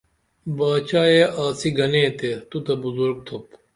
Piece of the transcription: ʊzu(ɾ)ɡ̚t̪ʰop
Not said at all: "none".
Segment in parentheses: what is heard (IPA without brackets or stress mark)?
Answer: ɾ